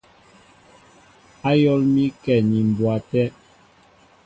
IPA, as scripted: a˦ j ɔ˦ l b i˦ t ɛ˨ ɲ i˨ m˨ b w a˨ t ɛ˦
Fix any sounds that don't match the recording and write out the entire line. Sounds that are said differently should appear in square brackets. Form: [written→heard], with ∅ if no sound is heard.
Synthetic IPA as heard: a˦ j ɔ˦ l [b→m] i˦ [t→k] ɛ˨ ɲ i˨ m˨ b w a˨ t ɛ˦